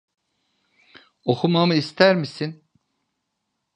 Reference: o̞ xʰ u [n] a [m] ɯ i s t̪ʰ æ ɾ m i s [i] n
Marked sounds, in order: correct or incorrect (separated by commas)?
incorrect, correct, correct